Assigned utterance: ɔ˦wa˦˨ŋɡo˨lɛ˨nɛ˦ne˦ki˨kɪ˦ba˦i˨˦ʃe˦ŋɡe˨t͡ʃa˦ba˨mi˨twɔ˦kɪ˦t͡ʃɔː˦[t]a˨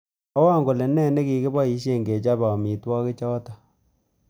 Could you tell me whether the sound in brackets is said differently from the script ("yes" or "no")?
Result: no